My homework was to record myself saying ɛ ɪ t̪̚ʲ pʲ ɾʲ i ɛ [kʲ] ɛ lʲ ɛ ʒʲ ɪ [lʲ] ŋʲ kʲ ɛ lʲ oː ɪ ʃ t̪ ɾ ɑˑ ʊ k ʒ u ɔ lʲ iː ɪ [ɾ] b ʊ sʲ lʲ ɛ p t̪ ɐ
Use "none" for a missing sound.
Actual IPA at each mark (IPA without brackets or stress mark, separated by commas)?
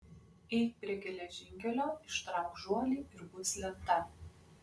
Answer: ɡʲ, none, ɾ